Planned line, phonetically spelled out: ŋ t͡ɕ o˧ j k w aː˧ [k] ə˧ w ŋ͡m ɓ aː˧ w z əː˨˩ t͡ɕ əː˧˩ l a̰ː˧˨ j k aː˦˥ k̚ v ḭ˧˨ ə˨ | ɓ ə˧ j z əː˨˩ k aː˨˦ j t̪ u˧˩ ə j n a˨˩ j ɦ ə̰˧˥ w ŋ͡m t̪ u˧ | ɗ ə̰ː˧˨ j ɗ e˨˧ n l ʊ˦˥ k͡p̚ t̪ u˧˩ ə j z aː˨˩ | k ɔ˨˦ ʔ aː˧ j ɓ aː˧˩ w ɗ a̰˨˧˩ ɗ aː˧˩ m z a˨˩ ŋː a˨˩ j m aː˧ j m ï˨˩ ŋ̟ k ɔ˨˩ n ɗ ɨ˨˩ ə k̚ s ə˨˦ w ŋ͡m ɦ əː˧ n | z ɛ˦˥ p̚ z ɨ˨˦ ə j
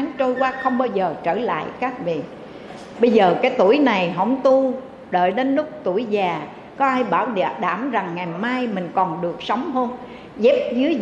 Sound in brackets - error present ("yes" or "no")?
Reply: yes